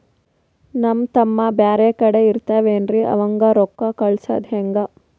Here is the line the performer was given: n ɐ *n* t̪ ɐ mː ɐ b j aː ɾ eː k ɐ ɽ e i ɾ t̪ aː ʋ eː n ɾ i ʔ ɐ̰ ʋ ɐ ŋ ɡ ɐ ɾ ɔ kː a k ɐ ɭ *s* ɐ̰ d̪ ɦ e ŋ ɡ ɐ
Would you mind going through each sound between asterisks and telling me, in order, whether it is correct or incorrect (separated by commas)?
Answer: incorrect, correct